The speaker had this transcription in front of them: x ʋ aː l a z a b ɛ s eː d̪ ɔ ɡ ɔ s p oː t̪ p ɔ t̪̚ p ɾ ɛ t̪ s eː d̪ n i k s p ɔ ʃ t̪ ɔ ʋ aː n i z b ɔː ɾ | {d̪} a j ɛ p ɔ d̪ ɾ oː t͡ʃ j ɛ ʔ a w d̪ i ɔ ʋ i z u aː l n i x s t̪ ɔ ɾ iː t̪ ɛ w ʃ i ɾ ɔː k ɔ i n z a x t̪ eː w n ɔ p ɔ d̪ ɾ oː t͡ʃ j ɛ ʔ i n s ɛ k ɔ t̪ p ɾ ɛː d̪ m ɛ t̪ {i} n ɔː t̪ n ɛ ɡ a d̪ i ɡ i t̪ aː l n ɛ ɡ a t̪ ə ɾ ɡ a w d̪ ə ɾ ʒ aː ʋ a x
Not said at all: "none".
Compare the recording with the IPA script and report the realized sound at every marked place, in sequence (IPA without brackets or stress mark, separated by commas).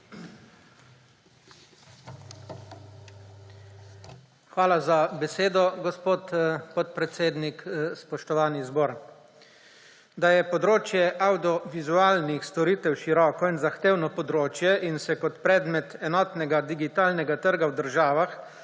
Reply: d̪, ɛ